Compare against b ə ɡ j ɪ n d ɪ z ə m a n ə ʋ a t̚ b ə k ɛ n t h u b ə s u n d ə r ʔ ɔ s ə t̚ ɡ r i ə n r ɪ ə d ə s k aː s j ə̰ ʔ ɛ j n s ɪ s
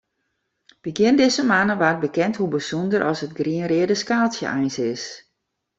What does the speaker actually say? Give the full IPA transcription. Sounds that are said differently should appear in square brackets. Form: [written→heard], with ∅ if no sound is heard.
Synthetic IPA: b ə ɡ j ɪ n d ɪ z ə m a n ə ʋ a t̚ b ə k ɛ n t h u b ə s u n d ə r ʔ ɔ s ə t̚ ɡ r i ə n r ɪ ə d ə s k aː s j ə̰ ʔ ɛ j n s ɪ s